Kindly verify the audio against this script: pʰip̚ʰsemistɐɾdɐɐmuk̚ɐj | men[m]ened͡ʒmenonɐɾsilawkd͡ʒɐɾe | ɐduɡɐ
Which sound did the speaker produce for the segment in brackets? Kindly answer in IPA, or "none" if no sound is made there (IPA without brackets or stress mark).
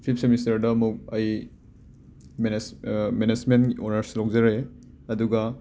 m